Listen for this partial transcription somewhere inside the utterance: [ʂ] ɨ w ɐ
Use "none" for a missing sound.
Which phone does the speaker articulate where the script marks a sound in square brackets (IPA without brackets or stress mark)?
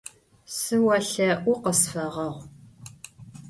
s